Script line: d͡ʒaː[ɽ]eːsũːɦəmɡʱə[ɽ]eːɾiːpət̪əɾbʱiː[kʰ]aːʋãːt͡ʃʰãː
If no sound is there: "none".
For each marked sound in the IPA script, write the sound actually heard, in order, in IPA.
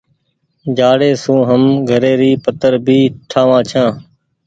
ɽ, ɾ, ʈʰ

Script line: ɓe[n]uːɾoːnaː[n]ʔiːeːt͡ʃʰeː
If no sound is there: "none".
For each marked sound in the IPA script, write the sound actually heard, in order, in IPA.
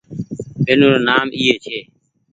n, m

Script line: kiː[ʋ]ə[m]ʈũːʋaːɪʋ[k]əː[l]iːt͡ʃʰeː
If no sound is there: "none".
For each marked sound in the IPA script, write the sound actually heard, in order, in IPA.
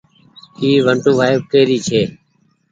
ʋ, ɳ, k, ɾ

